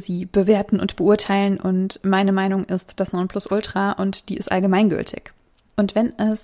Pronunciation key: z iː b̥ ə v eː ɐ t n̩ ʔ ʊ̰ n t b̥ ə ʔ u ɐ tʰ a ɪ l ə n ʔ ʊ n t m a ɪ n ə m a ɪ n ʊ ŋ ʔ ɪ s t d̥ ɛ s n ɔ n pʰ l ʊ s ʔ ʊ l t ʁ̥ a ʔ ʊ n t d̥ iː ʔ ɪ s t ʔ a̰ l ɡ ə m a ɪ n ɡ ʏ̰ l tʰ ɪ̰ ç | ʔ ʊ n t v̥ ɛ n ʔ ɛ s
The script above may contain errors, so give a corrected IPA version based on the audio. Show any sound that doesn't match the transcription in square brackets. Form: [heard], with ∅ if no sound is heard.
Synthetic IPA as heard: z iː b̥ ə v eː ɐ t n̩ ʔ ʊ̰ n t b̥ ə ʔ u ɐ tʰ a ɪ l ə n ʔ ʊ n t m a ɪ n ə m a ɪ n ʊ ŋ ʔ ɪ s t d̥ [a] s n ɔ n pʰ l ʊ s ʔ ʊ l t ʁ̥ a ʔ ʊ n t d̥ iː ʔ ɪ s t ʔ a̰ l ɡ ə m a ɪ n ɡ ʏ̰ l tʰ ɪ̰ ç | ʔ ʊ n t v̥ ɛ n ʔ ɛ s